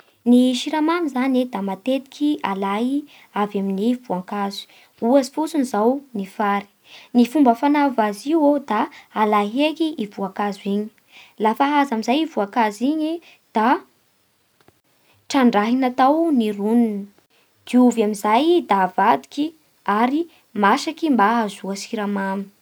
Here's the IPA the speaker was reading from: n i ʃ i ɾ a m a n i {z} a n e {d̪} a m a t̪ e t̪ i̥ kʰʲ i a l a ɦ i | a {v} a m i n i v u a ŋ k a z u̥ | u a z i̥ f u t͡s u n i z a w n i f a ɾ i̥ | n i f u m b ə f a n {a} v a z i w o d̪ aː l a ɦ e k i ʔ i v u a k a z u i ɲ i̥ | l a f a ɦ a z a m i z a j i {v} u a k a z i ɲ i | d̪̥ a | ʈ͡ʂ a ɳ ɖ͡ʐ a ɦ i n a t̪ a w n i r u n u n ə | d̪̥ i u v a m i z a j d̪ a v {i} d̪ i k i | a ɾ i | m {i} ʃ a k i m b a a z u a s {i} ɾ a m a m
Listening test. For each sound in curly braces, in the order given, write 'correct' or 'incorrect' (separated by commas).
correct, correct, correct, correct, correct, incorrect, incorrect, correct